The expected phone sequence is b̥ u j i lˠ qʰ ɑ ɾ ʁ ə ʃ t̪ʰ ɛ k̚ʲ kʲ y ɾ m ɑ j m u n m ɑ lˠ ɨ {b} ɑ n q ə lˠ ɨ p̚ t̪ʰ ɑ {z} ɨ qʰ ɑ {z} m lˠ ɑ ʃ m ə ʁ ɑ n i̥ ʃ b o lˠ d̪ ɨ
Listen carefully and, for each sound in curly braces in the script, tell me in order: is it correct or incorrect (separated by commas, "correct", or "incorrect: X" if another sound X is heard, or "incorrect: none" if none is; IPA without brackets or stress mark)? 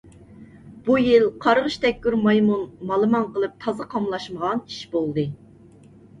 incorrect: m, correct, incorrect: none